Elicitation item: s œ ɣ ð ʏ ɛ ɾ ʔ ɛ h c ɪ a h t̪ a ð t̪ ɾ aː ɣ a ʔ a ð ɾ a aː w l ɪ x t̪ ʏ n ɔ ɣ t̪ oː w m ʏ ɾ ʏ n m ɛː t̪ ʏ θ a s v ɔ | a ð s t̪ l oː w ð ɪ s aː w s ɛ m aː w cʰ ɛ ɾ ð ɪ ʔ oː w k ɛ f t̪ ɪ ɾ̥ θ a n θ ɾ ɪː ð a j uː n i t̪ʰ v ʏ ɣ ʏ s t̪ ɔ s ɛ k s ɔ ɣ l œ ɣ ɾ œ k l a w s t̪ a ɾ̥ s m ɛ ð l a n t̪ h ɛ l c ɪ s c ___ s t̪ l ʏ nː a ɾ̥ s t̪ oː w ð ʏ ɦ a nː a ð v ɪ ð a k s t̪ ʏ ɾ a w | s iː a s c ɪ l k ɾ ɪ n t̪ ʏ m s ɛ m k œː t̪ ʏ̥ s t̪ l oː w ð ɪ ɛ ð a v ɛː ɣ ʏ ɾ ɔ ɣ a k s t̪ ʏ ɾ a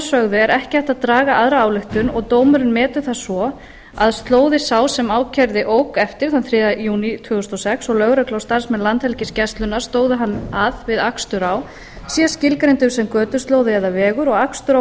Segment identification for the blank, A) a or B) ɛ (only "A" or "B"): B